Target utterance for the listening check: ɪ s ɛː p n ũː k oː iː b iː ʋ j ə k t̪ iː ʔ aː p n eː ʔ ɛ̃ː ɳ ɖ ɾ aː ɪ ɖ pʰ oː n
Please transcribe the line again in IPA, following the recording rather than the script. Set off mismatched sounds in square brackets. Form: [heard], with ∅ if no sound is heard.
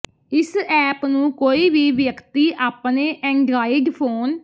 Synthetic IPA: ɪ s ɛː p n ũː k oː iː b iː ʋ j ə k t̪ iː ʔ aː p n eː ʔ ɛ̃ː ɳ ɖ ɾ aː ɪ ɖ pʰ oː n